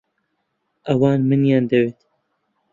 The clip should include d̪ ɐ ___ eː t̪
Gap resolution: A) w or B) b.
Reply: A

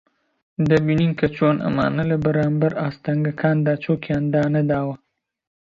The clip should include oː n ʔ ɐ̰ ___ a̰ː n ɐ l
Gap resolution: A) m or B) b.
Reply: A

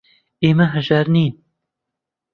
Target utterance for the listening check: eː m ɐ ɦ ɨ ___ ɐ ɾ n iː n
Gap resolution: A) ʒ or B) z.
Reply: A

